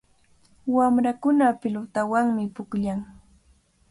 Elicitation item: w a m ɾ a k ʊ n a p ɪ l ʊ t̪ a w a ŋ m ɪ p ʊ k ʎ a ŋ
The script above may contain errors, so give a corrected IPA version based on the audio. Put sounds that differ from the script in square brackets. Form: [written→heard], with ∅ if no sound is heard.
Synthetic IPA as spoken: w a m ɾ a k ʊ n a p ɪ l ʊ t̪ a w a ŋ m ɪ p ʊ k ʎ a ŋ